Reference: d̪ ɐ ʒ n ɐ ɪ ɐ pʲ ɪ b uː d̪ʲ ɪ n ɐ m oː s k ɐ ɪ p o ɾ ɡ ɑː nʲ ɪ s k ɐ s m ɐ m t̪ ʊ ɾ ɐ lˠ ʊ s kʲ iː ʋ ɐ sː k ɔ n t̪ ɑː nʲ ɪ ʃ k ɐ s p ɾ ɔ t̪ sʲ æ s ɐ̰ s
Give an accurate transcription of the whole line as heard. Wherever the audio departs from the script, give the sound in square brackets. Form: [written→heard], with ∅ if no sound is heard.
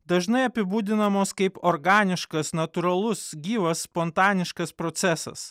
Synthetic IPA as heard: d̪ ɐ ʒ n ɐ ɪ ɐ pʲ ɪ b uː d̪ʲ ɪ n ɐ m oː s k ɐ ɪ p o ɾ ɡ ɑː nʲ ɪ [s→ʃ] k ɐ s [m→n] ɐ [m→∅] t̪ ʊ ɾ ɐ lˠ ʊ s [kʲ→ɡʲ] iː ʋ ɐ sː [k→p] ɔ n t̪ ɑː nʲ ɪ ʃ k ɐ s p ɾ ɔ t̪ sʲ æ s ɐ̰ s